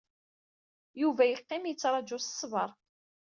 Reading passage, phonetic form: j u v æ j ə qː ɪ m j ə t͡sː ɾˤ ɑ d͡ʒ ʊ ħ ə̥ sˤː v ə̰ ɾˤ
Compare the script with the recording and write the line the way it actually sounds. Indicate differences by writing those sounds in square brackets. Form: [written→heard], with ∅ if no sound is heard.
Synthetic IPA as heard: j u v æ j ə qː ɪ m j ə t͡sː ɾˤ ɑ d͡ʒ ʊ [ħ→s] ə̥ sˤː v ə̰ ɾˤ